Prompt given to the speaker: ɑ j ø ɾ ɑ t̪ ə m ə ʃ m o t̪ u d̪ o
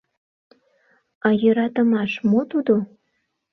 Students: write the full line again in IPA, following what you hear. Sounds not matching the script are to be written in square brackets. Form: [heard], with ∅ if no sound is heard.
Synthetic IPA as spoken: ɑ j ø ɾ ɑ t̪ ə m [ɑ] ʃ m o t̪ u d̪ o